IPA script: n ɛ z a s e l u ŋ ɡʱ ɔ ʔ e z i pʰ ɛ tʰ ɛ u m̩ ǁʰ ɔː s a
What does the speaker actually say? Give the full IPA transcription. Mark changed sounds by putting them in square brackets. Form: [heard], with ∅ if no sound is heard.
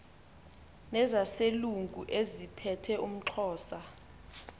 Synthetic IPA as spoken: n ɛ z a s e l u ŋ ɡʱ [u] ʔ e z i pʰ ɛ tʰ ɛ u m̩ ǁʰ ɔː s a